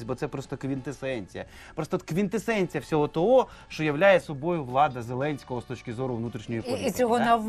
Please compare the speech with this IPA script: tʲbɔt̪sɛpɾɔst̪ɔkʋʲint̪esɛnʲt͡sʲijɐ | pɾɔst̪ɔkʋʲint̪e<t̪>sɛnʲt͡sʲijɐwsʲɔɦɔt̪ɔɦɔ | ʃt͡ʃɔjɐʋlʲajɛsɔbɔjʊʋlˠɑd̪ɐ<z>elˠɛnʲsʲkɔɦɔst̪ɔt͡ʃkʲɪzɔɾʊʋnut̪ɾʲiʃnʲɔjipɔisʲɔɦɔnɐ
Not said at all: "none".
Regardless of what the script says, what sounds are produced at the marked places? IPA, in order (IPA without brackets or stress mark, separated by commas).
none, z